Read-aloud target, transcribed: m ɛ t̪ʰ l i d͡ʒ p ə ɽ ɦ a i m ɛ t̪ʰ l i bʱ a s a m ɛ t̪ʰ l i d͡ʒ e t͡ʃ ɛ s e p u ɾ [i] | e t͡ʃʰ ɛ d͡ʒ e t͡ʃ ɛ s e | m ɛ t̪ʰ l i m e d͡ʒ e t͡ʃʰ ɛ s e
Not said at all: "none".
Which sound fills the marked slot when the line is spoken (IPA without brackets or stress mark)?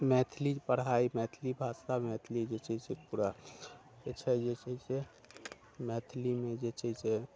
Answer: a